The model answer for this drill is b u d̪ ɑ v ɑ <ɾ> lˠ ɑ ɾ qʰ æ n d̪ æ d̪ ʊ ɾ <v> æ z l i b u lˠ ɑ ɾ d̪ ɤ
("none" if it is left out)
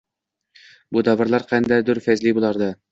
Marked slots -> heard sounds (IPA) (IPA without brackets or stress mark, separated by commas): ɾ, f